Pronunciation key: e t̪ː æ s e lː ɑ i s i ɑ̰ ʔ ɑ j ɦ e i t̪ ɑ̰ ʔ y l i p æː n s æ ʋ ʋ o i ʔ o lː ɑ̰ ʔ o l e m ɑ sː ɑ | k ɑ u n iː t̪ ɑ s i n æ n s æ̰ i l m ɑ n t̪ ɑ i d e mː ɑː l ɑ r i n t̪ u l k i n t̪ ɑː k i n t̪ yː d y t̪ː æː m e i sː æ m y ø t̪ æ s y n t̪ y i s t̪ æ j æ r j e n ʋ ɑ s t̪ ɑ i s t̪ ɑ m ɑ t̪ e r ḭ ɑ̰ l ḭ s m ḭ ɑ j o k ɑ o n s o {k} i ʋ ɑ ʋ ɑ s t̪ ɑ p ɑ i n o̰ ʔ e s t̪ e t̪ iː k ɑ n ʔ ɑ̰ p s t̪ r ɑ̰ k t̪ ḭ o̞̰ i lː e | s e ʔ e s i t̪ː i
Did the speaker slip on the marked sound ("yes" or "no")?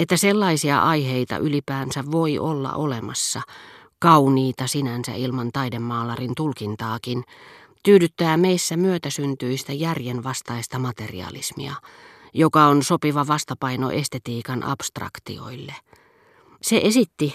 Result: yes